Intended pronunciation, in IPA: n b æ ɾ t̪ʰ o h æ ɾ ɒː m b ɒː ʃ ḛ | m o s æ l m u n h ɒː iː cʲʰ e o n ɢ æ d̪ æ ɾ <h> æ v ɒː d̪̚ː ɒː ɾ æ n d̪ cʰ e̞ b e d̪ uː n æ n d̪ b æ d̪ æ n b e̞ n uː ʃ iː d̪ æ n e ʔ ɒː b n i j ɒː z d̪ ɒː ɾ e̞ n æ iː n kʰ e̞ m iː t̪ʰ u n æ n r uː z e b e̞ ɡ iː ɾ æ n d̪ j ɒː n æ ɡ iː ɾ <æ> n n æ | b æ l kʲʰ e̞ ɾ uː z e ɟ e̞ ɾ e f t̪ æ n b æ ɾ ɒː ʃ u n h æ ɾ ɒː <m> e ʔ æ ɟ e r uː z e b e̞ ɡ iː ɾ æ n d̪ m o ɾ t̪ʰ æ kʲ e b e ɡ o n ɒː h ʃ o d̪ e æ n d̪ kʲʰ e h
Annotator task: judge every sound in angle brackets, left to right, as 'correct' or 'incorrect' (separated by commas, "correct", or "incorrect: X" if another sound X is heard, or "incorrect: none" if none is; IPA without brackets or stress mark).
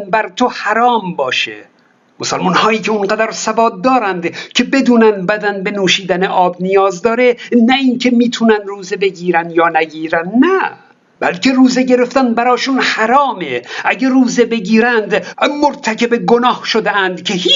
incorrect: s, correct, correct